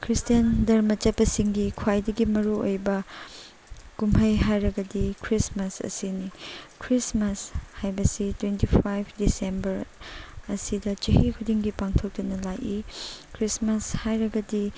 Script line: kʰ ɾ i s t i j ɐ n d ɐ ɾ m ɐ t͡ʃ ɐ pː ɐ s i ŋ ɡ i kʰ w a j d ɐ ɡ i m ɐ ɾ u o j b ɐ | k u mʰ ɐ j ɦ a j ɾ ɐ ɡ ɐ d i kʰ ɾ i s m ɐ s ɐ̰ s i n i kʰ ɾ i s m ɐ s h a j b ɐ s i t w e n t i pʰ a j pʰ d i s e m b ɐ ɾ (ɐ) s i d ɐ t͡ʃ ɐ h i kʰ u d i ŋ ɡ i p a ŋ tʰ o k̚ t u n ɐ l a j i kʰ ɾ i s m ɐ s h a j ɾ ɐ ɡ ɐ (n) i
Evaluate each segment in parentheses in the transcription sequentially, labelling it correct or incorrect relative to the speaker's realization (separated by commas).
correct, incorrect